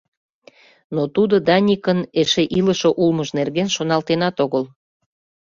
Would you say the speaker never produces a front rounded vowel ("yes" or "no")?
yes